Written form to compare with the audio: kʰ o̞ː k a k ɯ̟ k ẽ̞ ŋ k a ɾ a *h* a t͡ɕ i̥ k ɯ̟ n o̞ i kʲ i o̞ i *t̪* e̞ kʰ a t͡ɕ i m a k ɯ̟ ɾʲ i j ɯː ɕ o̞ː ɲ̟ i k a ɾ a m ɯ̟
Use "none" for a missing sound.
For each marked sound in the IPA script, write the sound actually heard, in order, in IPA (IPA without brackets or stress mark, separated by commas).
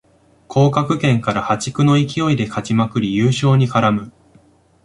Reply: h, d̪